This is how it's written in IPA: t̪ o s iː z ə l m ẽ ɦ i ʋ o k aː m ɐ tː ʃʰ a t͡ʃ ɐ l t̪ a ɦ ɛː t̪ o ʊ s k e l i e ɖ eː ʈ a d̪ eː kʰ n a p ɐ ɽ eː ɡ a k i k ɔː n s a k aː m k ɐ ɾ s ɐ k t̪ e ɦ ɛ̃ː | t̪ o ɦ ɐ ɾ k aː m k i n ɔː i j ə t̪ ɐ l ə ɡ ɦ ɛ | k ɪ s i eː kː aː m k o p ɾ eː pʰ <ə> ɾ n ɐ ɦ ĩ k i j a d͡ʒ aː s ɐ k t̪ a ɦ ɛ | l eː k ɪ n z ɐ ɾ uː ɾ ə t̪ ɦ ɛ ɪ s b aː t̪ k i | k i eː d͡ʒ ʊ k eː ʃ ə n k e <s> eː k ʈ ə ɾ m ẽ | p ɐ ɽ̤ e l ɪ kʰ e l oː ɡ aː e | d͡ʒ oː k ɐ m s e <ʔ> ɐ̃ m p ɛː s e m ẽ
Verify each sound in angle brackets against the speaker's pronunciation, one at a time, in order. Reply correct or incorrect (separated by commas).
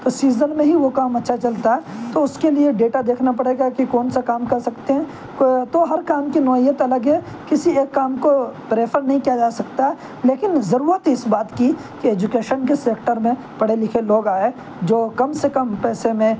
correct, correct, incorrect